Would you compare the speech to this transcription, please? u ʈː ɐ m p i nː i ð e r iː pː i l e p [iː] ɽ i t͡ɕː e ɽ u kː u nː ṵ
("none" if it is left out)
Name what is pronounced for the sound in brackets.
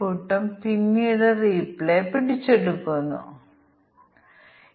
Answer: i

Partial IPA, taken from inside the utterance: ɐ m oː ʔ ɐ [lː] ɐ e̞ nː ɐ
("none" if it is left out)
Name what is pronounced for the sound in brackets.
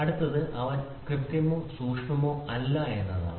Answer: lː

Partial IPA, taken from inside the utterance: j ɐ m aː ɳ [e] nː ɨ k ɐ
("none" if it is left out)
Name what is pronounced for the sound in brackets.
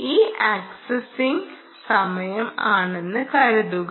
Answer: e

